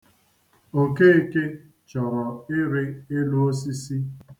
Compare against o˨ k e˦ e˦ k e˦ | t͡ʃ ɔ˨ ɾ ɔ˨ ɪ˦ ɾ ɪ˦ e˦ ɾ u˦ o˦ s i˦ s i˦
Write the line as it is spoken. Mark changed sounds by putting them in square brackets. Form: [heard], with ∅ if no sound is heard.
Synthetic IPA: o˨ k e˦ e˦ k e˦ | t͡ʃ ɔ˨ ɾ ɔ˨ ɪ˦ ɾ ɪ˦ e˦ [l] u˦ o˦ s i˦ s i˦

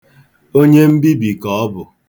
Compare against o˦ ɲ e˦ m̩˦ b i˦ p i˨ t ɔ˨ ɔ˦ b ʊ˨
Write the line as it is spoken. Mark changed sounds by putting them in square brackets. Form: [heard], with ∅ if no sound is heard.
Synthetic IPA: o˦ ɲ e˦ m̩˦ b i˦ [b] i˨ [k] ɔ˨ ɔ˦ b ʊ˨

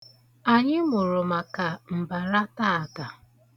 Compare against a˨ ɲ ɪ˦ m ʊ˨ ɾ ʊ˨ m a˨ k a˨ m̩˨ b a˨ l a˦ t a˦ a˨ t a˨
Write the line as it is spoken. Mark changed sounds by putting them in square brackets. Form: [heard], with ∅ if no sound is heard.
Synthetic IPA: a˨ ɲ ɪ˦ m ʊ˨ ɾ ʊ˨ m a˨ k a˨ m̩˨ b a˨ [ɾ] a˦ t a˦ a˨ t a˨

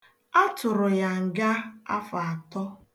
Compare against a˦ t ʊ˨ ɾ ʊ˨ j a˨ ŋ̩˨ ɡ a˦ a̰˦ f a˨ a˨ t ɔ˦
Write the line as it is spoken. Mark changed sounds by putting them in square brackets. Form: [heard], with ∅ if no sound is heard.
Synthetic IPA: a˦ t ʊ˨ ɾ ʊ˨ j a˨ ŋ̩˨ ɡ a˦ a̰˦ f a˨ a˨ t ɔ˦

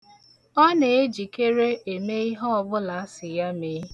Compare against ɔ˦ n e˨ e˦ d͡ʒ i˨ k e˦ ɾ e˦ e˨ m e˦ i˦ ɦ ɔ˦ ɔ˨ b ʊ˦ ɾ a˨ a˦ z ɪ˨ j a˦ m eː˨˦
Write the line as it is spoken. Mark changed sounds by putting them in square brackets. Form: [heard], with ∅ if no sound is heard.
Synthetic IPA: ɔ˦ n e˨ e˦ d͡ʒ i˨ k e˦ ɾ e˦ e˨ m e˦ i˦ ɦ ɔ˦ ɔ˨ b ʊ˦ [l] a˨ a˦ [s] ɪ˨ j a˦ m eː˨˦

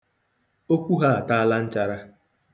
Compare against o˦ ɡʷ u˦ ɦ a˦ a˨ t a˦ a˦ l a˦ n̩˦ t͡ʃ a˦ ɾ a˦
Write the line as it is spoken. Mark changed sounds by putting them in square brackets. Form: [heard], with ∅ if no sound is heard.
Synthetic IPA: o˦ [kʷ] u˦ ɦ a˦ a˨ t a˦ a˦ l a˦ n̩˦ t͡ʃ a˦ ɾ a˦

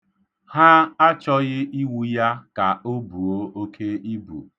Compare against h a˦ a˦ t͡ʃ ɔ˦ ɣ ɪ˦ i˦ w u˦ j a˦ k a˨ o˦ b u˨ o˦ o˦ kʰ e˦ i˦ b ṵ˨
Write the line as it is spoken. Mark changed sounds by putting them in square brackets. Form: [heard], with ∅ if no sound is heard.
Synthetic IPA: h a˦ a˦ t͡ʃ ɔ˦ ɣ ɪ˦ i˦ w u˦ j a˦ k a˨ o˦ b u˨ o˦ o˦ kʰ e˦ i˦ b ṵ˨

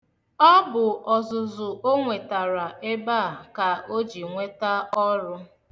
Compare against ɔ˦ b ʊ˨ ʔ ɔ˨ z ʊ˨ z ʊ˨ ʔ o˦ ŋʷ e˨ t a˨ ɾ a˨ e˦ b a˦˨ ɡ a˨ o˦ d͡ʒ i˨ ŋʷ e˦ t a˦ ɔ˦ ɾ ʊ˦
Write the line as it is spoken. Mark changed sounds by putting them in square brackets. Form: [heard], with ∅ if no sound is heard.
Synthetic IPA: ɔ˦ b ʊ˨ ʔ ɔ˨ z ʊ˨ z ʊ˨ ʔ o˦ ŋʷ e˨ t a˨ ɾ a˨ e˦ b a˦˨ [k] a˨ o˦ d͡ʒ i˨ ŋʷ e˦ t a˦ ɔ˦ ɾ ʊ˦

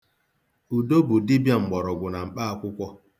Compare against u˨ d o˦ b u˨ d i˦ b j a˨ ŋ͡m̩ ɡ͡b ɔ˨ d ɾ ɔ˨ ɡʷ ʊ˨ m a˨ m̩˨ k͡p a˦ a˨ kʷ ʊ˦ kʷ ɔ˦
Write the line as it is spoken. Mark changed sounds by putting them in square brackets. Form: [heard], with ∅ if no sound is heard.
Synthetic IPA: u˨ d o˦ b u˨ d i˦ b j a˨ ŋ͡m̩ ɡ͡b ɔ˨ [∅] ɾ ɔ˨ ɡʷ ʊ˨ [n] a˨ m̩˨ k͡p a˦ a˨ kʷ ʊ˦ kʷ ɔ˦

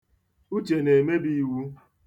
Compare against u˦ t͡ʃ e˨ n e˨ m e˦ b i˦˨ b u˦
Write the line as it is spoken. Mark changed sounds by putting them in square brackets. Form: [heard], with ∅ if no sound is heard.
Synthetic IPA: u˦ t͡ʃ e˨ n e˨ m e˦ b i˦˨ [w] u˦

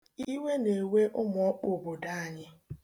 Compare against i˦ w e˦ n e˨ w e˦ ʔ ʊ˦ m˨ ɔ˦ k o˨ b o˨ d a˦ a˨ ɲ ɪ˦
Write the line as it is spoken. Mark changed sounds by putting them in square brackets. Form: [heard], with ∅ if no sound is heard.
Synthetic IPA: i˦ w e˦ n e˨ w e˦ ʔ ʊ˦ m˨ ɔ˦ [k͡p] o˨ b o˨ d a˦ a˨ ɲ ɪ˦

